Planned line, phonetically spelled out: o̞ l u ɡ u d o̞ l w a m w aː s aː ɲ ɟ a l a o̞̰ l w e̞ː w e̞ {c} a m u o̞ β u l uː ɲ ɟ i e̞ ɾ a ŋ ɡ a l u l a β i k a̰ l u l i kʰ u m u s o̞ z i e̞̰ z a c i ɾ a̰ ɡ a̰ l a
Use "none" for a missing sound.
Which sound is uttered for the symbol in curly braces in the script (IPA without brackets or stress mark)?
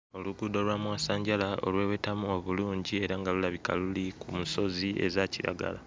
t